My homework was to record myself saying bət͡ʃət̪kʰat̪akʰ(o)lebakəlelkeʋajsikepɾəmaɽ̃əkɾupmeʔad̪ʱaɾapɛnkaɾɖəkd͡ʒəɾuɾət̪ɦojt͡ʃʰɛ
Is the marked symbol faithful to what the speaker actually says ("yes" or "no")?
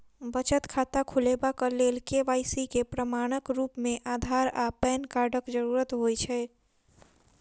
no